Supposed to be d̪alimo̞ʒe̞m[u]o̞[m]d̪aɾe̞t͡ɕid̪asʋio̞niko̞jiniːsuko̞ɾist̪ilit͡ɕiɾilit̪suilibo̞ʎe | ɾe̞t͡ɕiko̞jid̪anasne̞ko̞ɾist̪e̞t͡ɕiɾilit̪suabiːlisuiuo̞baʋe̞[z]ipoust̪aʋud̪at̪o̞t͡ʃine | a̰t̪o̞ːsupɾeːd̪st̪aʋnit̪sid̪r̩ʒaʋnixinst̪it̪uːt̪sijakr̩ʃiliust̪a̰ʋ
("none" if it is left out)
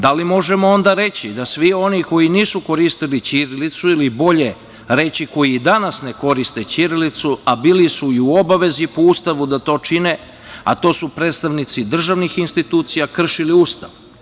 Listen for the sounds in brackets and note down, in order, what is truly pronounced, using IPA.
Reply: o, n, z

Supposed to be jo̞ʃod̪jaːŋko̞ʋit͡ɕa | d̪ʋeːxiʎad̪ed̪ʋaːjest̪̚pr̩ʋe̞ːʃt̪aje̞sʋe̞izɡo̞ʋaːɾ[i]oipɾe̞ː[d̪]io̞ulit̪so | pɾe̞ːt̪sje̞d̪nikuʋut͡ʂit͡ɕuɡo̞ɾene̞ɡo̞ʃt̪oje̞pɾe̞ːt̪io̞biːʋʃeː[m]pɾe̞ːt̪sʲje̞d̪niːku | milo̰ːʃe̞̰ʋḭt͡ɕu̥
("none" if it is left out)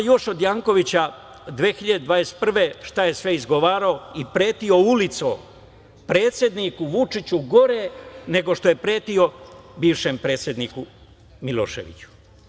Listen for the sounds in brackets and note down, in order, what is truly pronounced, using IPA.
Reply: a, t̪, m

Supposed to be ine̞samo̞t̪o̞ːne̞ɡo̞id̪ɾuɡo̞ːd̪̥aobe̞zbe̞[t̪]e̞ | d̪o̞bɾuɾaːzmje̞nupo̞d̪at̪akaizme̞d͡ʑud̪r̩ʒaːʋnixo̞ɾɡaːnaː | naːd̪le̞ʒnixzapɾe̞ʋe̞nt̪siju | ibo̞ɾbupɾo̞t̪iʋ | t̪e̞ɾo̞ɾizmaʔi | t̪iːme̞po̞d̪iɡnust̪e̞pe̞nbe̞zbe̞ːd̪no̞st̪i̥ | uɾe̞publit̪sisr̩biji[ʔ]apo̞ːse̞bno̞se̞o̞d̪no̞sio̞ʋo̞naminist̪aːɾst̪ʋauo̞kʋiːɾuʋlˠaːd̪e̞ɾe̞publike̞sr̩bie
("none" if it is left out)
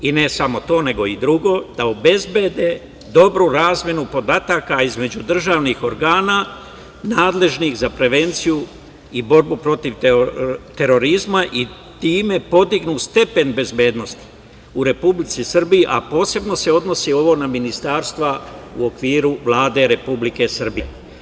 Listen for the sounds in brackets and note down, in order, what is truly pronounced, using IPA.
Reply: d̪, ʔ

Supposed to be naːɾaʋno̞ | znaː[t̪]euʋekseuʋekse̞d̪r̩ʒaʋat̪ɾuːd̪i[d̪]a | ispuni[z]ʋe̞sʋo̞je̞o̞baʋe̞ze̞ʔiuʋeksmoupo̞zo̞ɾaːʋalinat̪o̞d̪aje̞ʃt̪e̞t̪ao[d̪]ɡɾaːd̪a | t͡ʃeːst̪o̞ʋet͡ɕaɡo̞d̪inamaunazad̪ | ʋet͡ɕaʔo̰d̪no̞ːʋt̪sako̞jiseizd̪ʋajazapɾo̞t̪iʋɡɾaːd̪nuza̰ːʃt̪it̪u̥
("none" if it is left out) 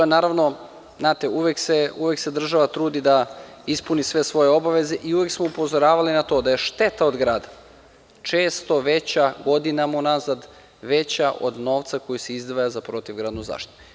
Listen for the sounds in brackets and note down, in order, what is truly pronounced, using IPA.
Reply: t̪, d̪, s, d̪

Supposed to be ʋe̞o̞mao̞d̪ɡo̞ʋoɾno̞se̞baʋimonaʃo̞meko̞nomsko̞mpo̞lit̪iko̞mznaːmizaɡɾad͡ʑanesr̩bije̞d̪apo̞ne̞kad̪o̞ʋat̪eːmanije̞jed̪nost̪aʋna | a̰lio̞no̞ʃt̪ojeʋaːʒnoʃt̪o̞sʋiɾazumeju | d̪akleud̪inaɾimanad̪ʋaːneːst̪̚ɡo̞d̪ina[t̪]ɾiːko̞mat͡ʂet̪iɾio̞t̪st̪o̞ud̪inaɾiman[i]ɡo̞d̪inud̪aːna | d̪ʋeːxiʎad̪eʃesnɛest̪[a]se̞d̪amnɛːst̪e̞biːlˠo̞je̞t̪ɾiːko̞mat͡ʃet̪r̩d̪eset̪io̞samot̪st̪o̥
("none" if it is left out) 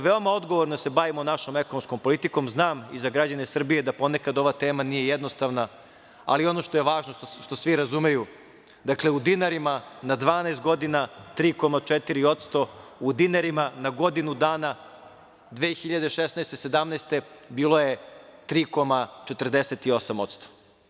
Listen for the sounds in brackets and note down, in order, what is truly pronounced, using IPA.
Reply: t̪, a, e

